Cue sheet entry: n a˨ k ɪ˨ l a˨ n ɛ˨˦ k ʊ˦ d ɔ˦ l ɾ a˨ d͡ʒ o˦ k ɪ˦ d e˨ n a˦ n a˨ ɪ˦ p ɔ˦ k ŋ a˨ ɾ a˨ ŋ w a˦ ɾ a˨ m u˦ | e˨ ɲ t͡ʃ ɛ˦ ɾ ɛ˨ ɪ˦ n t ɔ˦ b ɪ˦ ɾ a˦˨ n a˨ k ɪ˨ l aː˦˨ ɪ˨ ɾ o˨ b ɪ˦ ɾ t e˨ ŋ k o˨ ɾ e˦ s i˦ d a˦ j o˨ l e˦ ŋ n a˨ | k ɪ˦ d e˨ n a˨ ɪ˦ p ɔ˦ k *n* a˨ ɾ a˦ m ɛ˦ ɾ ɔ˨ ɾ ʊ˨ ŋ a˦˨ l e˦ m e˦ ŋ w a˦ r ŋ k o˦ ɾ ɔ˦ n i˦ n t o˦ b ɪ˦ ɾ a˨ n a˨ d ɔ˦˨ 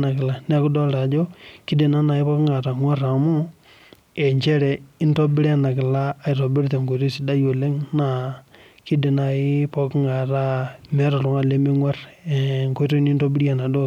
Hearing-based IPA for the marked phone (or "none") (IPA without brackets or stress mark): ŋ